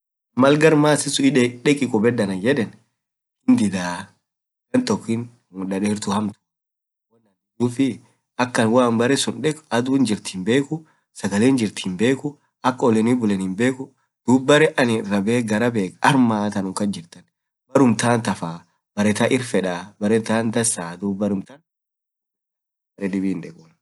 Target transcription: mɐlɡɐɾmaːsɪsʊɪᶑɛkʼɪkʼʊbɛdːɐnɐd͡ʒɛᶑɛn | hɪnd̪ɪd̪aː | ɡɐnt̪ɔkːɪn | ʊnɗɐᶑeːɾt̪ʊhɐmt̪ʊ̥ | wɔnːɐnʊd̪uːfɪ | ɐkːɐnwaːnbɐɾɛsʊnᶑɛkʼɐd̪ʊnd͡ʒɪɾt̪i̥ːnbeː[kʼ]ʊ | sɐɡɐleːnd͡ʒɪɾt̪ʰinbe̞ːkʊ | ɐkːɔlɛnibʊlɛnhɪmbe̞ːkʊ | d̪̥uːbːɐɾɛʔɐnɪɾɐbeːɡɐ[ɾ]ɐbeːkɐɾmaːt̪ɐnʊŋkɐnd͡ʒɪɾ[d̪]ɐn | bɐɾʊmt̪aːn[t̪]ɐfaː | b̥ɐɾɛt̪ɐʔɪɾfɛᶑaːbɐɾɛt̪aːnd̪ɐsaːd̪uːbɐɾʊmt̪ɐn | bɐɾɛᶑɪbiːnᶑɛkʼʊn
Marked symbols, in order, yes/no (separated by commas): no, yes, no, yes